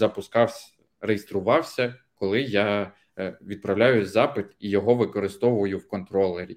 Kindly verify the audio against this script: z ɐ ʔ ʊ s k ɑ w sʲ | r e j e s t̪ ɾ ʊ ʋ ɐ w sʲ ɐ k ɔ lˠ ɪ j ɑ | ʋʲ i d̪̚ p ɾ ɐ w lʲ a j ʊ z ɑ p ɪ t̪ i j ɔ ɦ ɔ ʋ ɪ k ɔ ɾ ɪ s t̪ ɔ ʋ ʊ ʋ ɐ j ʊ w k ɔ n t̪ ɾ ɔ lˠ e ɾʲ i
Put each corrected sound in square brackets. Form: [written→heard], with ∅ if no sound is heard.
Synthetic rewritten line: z ɐ [ʔ→p] ʊ s k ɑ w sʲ | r e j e s t̪ ɾ ʊ ʋ [ɐ→ɑ] w sʲ ɐ k ɔ lˠ ɪ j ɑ | ʋʲ i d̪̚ p ɾ ɐ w lʲ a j ʊ z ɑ p ɪ t̪ i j ɔ ɦ ɔ ʋ ɪ k ɔ ɾ ɪ s t̪ ɔ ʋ ʊ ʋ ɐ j ʊ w k ɔ n t̪ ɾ ɔ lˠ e ɾʲ i